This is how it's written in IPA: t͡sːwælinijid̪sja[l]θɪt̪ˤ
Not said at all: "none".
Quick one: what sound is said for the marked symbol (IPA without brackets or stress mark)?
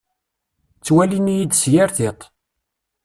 ɾ